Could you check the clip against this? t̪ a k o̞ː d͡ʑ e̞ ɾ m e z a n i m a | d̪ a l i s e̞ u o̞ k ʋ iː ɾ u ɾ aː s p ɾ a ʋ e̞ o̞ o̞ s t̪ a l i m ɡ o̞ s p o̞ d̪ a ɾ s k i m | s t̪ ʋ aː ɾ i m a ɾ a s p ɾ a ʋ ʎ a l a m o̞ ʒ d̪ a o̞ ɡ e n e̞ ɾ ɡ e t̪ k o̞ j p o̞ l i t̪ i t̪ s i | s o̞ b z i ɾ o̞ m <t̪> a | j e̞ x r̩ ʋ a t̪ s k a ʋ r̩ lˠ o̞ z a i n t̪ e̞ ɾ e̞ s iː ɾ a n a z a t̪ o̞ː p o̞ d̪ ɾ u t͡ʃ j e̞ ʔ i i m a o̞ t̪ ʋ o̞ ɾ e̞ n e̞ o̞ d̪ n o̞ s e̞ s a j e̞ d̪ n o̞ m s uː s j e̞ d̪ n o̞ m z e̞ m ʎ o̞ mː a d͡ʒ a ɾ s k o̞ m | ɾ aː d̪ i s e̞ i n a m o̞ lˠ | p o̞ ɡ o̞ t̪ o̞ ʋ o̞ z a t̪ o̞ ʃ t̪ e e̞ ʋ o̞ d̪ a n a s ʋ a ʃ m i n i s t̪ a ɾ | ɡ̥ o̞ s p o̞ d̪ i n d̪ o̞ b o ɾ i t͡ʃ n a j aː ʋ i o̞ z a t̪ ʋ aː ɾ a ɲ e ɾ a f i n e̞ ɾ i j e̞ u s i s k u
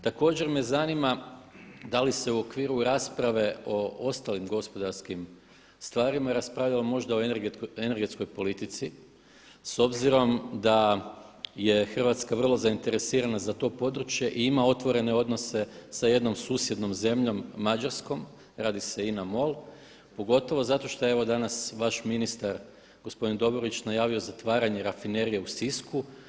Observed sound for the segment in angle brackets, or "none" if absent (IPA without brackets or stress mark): d̪